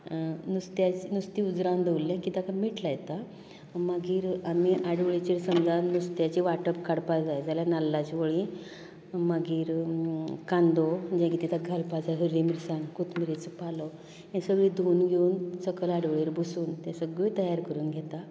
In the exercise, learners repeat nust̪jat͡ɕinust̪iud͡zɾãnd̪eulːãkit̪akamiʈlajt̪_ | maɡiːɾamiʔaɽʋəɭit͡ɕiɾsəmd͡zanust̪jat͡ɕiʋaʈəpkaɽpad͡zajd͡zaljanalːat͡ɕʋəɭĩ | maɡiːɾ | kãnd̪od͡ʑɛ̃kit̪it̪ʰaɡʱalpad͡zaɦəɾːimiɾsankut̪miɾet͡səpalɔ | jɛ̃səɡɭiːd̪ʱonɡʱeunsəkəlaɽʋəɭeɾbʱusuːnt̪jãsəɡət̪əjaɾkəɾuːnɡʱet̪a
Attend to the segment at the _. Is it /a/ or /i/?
a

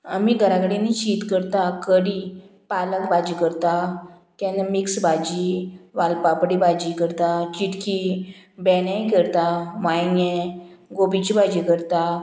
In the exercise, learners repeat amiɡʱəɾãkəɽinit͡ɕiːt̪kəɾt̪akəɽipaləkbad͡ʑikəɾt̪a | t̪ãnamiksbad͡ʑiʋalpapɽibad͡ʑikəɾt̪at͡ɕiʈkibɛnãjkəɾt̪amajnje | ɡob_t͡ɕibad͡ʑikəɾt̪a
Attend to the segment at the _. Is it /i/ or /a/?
i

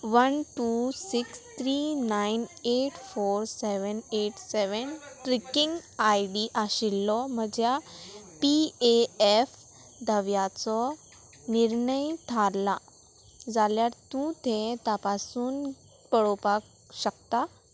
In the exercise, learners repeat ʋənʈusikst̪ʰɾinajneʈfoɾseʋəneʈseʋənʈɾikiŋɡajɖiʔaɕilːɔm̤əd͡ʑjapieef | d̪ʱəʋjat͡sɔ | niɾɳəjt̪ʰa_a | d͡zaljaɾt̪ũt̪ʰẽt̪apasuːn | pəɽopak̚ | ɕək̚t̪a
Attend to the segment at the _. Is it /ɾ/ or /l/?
l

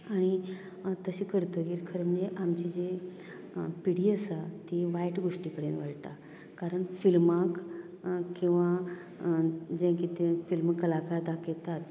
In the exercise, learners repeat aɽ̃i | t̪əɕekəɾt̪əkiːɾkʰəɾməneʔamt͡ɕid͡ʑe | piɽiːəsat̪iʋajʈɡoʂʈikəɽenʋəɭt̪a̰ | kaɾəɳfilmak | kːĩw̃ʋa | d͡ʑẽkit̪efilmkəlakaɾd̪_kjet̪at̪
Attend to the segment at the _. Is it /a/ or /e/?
a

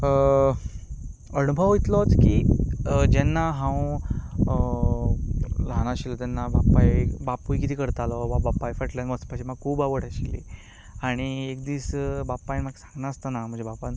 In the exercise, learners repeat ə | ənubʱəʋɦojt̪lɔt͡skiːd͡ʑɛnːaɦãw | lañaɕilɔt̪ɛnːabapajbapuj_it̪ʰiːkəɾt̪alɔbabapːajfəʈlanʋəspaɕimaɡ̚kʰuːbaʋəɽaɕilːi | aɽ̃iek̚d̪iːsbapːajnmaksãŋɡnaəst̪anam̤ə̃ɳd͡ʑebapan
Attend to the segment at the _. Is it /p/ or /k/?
k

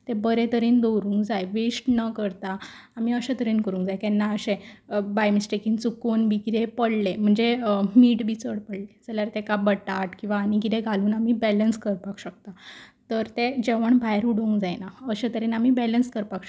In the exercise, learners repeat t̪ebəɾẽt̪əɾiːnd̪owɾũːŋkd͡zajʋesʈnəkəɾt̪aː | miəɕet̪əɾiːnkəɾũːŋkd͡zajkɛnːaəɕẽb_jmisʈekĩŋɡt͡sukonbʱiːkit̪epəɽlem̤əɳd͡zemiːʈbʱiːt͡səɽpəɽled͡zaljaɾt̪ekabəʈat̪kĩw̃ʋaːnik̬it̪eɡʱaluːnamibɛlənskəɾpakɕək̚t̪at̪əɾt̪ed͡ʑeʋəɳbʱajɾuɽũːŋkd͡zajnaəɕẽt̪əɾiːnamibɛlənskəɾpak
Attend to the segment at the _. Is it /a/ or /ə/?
a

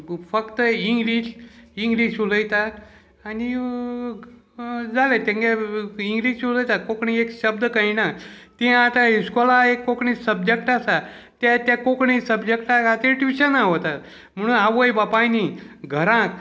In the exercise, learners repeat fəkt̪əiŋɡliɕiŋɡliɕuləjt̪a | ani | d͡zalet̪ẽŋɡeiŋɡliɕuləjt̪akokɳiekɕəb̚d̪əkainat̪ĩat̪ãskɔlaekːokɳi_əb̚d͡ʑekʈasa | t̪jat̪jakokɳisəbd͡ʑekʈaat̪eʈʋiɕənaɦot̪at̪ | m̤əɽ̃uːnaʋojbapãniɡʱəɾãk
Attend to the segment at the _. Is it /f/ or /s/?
s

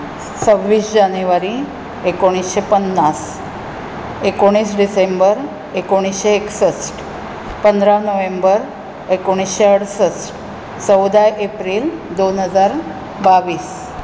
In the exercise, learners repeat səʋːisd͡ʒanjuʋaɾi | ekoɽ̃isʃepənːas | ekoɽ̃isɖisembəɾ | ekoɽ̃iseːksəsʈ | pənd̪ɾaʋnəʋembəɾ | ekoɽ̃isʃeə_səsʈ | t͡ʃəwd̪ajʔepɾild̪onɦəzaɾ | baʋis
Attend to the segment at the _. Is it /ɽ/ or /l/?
ɽ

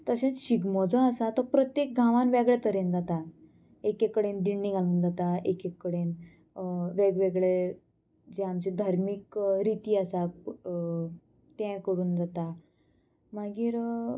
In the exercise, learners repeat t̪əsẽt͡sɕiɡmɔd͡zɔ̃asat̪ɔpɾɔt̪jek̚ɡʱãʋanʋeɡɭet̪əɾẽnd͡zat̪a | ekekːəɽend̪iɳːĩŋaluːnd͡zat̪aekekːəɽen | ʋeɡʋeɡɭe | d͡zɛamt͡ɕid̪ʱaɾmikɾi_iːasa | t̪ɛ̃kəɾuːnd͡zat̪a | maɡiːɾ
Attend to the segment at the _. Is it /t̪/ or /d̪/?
t̪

